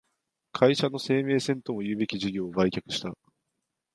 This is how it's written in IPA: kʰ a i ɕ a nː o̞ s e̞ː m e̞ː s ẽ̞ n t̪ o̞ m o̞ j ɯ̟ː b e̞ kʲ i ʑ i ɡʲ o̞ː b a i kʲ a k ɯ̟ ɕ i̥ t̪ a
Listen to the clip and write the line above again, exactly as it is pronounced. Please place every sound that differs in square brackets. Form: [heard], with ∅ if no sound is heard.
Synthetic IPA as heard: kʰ a i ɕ a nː o̞ s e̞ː m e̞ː s ẽ̞ n t̪ o̞ m o̞ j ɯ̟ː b e̞ kʲ i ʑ i ɡʲ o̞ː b a i kʲ a k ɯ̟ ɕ i̥ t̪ a